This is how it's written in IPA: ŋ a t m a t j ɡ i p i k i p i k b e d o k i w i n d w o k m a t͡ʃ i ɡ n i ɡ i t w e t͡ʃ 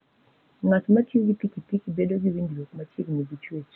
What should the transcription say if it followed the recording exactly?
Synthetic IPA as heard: ŋ a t m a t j ɡ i p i k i p i k b e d o ɡ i w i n d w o k m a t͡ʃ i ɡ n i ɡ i t͡ʃ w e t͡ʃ